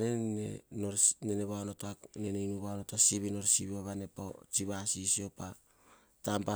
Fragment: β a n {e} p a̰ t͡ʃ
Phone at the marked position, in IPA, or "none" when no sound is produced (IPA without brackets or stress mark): e